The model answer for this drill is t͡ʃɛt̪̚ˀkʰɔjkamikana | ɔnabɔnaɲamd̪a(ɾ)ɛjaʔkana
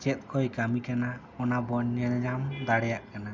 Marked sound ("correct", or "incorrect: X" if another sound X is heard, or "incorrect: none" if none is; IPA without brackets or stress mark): incorrect: ɽ